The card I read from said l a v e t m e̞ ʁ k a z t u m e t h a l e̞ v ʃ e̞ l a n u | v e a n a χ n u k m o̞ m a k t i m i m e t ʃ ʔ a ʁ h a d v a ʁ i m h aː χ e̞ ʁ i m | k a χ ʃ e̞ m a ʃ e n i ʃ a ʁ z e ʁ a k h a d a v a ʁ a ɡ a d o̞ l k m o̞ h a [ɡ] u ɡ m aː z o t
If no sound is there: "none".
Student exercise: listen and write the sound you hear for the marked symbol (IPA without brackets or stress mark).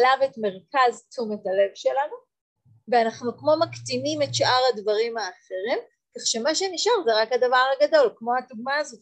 d